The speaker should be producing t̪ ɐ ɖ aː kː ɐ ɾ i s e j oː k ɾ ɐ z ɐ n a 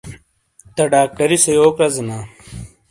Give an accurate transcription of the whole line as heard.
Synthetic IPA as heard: t̪ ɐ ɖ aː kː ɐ ɾ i s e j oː k ɾ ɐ z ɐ n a